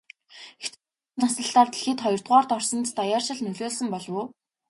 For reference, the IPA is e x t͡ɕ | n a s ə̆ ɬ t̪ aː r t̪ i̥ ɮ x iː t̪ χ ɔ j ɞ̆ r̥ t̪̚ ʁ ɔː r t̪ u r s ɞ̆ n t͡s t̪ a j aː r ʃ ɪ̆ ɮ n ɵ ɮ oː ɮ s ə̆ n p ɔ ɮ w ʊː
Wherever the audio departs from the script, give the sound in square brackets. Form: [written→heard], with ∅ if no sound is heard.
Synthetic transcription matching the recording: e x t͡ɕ | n a s ə̆ ɬ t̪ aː r t̪ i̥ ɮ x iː t̪ χ ɔ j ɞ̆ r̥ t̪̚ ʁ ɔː r t̪ [u→ɔ] r s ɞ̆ n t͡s t̪ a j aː r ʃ ɪ̆ ɮ n ɵ ɮ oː ɮ s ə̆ [n→m] p ɔ ɮ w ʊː